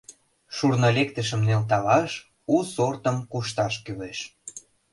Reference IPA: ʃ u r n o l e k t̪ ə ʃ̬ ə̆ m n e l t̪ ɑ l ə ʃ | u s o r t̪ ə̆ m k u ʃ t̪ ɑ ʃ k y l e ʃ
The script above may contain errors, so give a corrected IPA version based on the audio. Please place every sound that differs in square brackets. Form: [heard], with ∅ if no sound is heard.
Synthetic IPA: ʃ u r n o l e k t̪ ə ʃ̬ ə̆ m n e l t̪ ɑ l [ɑ] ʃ | u s o r t̪ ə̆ m k u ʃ t̪ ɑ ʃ k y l e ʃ